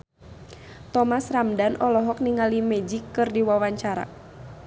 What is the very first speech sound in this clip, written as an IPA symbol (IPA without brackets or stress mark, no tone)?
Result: t̪